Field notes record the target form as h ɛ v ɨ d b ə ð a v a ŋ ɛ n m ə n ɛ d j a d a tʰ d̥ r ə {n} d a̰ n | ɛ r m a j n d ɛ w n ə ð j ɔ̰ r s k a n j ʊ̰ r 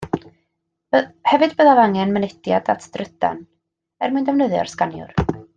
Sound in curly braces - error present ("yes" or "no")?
yes